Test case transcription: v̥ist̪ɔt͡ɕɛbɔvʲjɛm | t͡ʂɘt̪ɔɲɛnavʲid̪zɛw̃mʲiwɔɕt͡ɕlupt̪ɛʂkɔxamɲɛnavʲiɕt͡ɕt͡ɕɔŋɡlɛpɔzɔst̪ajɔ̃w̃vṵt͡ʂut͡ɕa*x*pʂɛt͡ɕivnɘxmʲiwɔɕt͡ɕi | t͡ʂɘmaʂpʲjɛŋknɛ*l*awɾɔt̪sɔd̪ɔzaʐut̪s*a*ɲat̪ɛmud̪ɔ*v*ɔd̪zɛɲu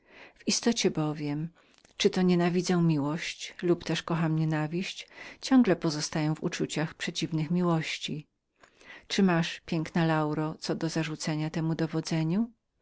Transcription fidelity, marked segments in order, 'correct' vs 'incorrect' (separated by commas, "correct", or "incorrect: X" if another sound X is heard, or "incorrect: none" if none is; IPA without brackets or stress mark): correct, correct, incorrect: ɛ, correct